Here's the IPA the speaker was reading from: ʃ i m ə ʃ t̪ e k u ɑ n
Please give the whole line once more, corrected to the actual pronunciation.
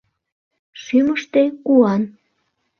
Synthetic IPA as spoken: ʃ y m ə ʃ t̪ e k u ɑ n